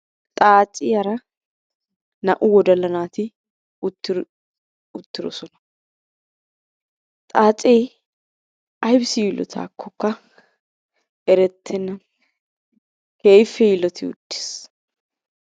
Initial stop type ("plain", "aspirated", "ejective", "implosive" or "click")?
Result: ejective